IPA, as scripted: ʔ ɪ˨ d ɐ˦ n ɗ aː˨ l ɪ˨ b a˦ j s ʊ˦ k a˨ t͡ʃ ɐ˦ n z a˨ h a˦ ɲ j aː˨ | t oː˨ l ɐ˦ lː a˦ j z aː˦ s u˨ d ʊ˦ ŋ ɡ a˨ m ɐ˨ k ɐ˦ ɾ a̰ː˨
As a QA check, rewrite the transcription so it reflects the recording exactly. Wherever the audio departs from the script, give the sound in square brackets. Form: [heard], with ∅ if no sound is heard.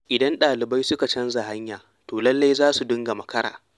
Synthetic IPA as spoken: ʔ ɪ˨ d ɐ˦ n ɗ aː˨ l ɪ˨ b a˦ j s ʊ˦ k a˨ t͡ʃ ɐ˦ n z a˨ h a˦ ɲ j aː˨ | t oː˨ l ɐ˦ lː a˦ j z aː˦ s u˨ d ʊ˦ ŋ ɡ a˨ m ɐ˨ k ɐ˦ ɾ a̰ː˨

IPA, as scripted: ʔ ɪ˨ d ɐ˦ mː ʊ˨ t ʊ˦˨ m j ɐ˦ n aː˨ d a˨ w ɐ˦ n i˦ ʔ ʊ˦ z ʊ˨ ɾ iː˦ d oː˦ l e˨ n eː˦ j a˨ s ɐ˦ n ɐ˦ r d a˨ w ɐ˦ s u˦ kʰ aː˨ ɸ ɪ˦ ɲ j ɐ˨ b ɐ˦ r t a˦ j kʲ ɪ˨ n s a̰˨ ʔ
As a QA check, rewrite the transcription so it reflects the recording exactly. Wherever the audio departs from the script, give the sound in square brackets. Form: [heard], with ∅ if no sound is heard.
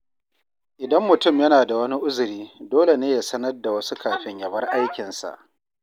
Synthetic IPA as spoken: ʔ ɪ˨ d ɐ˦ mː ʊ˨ t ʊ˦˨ m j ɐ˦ n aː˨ d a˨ w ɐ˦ n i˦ ʔ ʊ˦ z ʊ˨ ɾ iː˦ d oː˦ l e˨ n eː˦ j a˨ s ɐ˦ n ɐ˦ r d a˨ w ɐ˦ s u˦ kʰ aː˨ ɸ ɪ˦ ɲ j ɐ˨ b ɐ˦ r [ʔ] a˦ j kʲ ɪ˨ n s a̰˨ ʔ

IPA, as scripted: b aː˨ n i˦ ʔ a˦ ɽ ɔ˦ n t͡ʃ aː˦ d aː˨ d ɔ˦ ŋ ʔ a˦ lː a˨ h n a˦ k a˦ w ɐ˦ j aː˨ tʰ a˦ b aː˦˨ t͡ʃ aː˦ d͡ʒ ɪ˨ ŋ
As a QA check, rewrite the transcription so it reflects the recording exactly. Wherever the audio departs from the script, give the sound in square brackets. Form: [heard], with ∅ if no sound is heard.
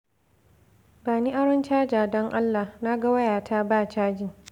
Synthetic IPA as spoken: b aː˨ n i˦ ʔ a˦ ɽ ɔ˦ n t͡ʃ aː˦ [d͡ʒ] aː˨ d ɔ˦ ŋ ʔ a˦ lː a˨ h n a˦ [ɡ] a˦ w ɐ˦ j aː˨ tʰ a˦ b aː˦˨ t͡ʃ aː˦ d͡ʒ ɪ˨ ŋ

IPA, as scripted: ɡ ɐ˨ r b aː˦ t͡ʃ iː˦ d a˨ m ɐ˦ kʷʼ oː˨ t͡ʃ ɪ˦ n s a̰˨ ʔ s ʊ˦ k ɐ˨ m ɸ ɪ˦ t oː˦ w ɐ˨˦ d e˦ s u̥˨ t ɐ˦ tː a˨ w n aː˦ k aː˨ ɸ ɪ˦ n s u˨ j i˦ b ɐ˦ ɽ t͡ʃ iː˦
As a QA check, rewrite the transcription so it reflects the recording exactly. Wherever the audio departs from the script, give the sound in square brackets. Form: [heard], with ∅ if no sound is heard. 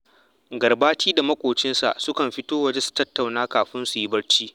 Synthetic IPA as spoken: ɡ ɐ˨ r b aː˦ t͡ʃ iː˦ d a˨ m ɐ˦ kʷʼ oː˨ t͡ʃ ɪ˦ n s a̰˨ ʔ s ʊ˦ k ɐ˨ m ɸ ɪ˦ t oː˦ w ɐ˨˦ [d͡ʒ] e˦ s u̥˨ t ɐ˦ tː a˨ w n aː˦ k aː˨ ɸ ɪ˦ n s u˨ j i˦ b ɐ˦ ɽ t͡ʃ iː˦

